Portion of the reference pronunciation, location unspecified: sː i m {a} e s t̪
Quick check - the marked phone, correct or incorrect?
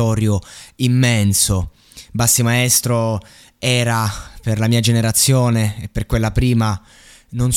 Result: correct